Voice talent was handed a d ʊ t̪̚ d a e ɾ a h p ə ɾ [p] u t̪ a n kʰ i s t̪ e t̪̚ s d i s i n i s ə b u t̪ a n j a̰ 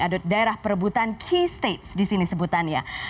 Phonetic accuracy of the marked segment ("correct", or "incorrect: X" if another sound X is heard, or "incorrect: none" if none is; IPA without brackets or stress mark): incorrect: b